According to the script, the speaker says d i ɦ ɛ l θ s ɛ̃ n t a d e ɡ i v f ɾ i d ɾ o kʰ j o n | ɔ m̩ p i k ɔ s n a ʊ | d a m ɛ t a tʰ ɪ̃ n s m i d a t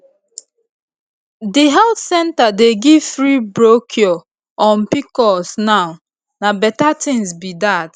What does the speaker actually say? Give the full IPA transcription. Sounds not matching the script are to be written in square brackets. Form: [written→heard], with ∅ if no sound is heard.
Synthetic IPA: d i ɦ ɛ l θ s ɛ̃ n t a d e ɡ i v f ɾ i [d→b] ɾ o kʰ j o [n→∅] | ɔ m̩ p i k ɔ s n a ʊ | [d→n] a [m→b] ɛ t a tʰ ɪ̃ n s [m→b] i d a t

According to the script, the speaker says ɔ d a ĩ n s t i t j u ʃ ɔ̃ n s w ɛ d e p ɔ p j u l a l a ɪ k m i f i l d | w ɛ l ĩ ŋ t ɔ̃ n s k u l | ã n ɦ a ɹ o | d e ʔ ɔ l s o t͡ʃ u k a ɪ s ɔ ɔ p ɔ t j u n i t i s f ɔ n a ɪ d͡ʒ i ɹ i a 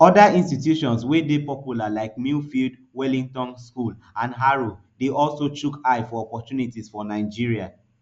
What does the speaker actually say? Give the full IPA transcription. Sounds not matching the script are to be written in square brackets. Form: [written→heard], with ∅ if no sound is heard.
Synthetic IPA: ɔ d a ĩ n s t i t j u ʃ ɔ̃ n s w [ɛ→e] d e p ɔ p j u l a l a ɪ k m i f i l d | w ɛ l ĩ ŋ t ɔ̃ n s k u l | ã n ɦ a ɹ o | d e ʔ ɔ l s o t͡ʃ u k a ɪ [s→f] ɔ ɔ p ɔ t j u n i t i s f ɔ n a ɪ d͡ʒ i ɹ i a

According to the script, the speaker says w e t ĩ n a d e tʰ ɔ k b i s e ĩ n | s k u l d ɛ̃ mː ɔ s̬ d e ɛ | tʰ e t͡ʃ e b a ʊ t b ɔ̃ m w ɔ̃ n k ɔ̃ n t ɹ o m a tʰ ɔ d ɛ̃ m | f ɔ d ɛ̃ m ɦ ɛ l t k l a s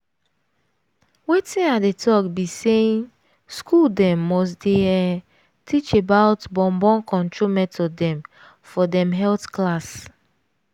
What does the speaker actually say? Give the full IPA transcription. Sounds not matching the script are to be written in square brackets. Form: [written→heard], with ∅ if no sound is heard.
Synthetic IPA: w e t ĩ n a d e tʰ ɔ k b i s e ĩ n | s k u l d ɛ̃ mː ɔ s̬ d e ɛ | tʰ [e→i] t͡ʃ e b a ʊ t b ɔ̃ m [w→b] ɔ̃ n k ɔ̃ n t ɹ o m [a→ɛ] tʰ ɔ d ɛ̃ m | f ɔ d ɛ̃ m ɦ ɛ l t k l a s

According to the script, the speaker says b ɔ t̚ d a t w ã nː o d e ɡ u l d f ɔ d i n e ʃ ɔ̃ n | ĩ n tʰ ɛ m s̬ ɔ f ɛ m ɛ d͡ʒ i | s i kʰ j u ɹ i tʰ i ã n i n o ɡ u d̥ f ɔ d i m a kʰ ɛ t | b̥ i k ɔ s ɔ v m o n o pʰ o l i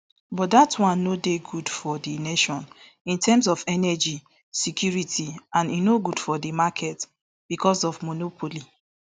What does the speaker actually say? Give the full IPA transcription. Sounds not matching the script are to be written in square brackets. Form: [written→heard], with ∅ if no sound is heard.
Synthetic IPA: b ɔ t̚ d a t w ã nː o d e ɡ u [l→∅] d f ɔ d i n e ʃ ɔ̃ n | ĩ n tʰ ɛ m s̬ ɔ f ɛ [m→n] ɛ d͡ʒ i | s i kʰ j u ɹ i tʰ i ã n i n o ɡ u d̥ f ɔ d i m a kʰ ɛ t | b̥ i k ɔ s ɔ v m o n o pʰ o l i

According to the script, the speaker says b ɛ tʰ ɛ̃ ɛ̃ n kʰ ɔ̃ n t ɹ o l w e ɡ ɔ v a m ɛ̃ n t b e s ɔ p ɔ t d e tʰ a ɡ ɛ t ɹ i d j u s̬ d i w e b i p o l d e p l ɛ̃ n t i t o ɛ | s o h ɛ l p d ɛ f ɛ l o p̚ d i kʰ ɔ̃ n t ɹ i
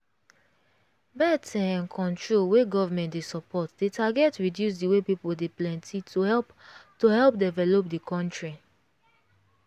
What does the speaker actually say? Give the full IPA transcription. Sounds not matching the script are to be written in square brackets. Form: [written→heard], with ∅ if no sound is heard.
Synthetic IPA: b ɛ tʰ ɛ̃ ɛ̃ n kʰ ɔ̃ n t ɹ o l w e ɡ ɔ v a m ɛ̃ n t [b→d] e s ɔ p ɔ t d e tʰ a ɡ ɛ t ɹ i d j u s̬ d i w e [b→p] i p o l d e p l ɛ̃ n t i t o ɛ | [s→t] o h ɛ l p d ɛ [f→v] ɛ l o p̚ d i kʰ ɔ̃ n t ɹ i

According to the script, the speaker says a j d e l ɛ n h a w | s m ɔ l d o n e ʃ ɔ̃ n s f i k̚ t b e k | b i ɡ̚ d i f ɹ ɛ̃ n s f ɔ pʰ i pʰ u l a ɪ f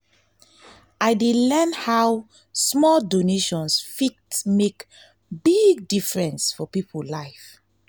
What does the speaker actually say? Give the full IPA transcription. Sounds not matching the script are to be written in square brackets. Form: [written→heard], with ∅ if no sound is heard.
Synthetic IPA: a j d e l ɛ n h a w | s m ɔ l d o n e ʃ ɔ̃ n s f i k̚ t [b→m] e k | b i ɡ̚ d i f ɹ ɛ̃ n s f ɔ [pʰ→p] i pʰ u l a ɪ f

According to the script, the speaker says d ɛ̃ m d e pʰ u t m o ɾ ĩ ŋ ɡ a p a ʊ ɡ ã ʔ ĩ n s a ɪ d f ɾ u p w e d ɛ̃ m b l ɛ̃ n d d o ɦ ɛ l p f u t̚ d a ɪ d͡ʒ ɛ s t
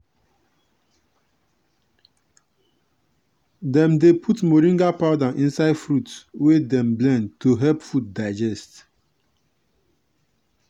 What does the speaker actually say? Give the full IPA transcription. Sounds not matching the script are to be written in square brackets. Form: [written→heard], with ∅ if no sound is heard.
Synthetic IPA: d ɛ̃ m d e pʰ u t m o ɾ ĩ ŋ ɡ a p a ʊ [ɡ→d] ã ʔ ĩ n s a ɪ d f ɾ u [p→t] w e d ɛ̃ m b l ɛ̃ n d [d→t] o ɦ ɛ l p f u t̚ d a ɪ d͡ʒ ɛ s t

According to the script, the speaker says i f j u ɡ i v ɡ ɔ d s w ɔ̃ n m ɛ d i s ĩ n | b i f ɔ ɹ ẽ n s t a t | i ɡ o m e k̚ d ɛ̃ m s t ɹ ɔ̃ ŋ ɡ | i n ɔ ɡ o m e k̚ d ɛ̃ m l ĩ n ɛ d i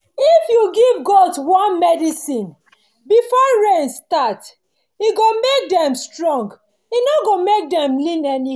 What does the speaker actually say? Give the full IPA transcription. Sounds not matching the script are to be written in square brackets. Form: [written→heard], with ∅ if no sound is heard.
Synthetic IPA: i f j u ɡ i v ɡ ɔ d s w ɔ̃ n m ɛ d i s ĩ n | b i f ɔ ɹ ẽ n s t a t | i ɡ o m e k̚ d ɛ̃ m s t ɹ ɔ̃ ŋ ɡ | i n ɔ ɡ o m e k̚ d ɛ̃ m l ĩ n ɛ [d→n] i

